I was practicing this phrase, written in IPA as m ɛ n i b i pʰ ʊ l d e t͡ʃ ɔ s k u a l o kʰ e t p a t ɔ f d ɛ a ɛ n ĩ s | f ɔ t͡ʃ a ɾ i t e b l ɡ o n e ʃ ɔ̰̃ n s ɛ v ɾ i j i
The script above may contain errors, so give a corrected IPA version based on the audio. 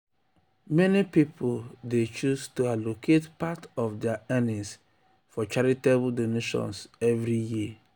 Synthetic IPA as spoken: m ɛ n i p i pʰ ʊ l d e t͡ʃ u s t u a l o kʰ e t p a t ɔ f d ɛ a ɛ n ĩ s | f ɔ t͡ʃ a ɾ i t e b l d o n e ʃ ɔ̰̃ n s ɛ v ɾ i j i

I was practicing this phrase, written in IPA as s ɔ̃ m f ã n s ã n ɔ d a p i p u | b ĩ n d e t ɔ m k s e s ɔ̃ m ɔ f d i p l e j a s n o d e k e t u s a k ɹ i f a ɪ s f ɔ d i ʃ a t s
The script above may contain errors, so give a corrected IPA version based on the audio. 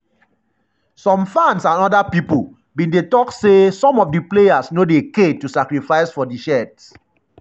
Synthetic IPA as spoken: s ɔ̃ m f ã n s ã n ɔ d a p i p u | b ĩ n d e t ɔ k s e s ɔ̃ m ɔ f d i p l e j a s n o d e k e t u s a k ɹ i f a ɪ s f ɔ d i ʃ ɛ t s

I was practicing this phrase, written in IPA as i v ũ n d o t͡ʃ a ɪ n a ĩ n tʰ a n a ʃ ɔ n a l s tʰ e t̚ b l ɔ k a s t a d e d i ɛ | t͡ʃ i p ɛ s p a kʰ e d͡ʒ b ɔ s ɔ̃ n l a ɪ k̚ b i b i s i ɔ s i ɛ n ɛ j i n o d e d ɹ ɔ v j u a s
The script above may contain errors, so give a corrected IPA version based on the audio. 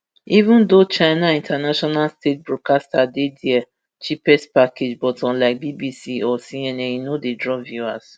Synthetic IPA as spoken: i v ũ n d o t͡ʃ a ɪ n a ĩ n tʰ a n a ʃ ɔ n a l s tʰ e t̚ b ɹ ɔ k a s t a d e d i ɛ | t͡ʃ i p ɛ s p a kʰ e d͡ʒ b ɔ t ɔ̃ n l a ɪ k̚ b i b i s i ɔ s i ɛ n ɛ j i n o d e d ɹ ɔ v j u a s

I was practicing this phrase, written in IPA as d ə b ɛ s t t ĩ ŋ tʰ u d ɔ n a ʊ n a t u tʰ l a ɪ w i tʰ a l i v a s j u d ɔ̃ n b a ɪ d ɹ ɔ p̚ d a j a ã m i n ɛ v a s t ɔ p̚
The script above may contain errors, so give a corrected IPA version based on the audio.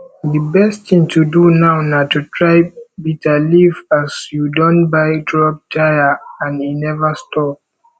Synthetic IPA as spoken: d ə b ɛ s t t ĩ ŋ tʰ u d u n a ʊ n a t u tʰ ɹ a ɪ b i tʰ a l i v a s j u d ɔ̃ n b a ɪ d ɹ ɔ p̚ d a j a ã n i n ɛ v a s t ɔ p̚

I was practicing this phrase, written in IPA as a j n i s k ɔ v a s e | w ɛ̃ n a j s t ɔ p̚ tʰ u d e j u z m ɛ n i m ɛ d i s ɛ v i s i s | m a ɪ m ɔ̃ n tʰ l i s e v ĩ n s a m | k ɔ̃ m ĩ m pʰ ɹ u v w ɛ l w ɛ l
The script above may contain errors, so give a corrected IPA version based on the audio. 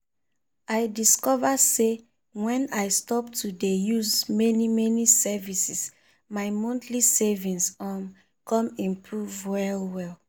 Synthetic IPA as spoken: a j d i s k ɔ v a s e | w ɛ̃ n a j s t ɔ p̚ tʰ u d e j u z m ɛ n i m ɛ n i s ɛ v i s i s | m a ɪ m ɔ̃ n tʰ l i s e v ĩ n s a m | k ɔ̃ m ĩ m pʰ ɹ u v w ɛ l w ɛ l

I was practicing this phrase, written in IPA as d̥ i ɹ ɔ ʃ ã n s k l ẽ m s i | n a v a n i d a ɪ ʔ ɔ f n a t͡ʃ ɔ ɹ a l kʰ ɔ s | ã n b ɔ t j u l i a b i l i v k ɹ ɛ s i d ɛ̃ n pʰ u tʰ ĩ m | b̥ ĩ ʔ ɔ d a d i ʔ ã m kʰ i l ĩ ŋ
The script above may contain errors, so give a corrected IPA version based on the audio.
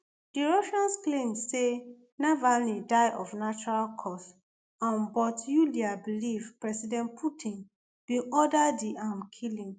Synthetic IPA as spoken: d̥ i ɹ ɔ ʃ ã n s k l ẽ m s e | n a v a n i d a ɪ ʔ ɔ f n a t͡ʃ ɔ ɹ a l kʰ ɔ s | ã n b ɔ t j u l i a b i l i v p ɹ ɛ s i d ɛ̃ n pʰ u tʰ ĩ n | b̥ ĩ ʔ ɔ d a d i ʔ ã m kʰ i l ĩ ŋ

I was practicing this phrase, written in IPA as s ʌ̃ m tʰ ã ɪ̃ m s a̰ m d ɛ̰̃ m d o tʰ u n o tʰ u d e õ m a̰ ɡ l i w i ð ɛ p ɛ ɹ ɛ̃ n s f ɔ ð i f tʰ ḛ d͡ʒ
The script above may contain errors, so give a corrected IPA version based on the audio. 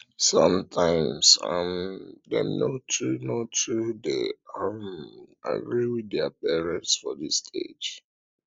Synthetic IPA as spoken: s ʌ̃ m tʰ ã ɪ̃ m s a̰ m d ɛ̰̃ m n o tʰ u n o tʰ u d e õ m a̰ ɡ ɹ i w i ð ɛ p ɛ ɹ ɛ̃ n s f ɔ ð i s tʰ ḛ d͡ʒ

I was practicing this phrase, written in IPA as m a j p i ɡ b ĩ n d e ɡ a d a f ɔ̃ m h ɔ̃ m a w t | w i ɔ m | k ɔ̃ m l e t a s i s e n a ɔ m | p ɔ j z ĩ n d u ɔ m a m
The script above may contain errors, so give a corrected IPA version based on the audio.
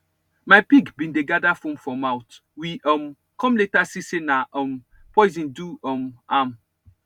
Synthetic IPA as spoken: m a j p i ɡ b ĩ n d e ɡ a d a f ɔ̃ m f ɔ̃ m a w t | w i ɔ m | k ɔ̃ m l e t a s i s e n a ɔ m | p ɔ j z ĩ n d u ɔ m a m

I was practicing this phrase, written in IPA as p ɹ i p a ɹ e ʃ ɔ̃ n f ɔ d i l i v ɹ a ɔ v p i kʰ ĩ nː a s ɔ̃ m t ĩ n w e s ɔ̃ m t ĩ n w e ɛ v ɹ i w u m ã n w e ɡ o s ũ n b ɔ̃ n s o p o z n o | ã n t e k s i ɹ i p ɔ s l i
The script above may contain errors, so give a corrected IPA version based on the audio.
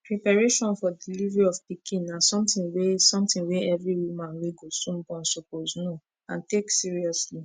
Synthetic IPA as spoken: p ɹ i p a ɹ e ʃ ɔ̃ n f ɔ d i l i v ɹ i ɔ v p i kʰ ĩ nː a s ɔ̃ m t ĩ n w e s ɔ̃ m t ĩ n w e ɛ v ɹ i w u m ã n w e ɡ o s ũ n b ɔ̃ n s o p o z n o | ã n t e k s i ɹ i ɔ s l i

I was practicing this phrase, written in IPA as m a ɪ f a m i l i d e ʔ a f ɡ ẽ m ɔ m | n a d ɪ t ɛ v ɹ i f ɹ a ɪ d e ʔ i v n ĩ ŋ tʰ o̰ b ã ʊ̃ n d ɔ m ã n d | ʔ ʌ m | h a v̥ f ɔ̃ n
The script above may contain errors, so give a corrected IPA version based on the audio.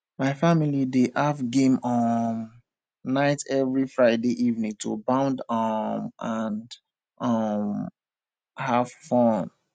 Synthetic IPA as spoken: m a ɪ f a m i l i d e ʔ a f ɡ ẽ m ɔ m | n a ɪ t ɛ v ɹ i f ɹ a ɪ d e ʔ i v n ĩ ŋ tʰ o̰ b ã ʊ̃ n d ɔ m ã n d | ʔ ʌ m | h a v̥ f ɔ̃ n

